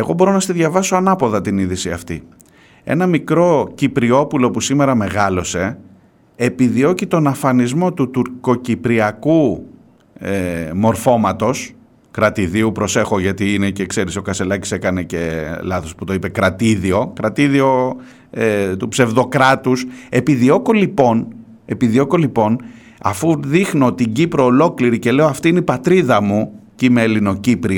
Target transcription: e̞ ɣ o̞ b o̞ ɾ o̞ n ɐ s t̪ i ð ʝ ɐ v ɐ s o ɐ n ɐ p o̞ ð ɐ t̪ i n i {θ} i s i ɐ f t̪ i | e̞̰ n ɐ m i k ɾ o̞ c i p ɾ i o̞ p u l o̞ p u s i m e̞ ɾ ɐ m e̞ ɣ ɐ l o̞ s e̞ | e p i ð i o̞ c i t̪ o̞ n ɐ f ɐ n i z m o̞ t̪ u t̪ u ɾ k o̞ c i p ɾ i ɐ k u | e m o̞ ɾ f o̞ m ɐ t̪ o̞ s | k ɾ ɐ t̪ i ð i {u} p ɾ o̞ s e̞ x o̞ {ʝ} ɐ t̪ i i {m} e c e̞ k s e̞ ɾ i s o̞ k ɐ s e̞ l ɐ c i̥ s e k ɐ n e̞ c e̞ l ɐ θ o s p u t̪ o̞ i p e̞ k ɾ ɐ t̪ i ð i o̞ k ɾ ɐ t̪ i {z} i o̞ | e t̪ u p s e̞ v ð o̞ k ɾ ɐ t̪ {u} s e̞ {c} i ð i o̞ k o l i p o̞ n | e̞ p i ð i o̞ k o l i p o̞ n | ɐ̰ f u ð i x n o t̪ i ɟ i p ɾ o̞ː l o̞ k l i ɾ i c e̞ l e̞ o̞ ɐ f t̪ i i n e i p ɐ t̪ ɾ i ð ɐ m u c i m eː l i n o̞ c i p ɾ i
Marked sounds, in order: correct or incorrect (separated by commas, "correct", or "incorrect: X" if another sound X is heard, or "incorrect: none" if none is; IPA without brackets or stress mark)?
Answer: incorrect: ð, correct, correct, incorrect: n, incorrect: ð, correct, incorrect: p